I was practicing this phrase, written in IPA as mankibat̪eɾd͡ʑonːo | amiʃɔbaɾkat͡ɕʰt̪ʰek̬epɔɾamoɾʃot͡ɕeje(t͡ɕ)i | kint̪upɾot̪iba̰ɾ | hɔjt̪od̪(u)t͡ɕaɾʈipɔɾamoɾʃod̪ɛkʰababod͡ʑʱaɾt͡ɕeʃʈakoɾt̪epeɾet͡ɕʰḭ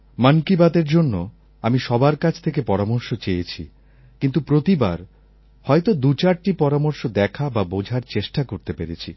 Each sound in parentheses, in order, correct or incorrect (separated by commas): incorrect, correct